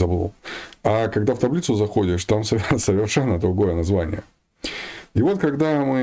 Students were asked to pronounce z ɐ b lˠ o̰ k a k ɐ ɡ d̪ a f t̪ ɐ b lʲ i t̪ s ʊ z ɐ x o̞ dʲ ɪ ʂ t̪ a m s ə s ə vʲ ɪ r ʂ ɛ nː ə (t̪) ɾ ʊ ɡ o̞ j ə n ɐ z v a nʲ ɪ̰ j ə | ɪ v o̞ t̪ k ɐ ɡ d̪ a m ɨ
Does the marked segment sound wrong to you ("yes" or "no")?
yes